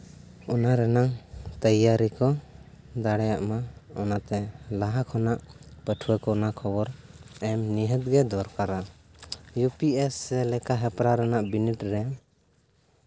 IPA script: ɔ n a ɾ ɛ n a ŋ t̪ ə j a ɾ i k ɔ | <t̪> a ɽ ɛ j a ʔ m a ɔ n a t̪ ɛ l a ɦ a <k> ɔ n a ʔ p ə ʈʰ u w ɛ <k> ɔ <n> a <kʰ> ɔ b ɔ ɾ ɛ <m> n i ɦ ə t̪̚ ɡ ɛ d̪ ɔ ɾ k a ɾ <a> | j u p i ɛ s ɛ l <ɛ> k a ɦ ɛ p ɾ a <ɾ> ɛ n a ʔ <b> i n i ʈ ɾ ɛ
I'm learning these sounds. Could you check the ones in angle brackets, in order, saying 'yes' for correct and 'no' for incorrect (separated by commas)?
no, no, yes, yes, yes, yes, yes, yes, yes, yes